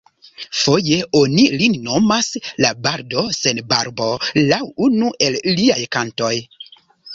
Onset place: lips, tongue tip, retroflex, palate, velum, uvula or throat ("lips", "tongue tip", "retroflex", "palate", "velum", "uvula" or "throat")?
lips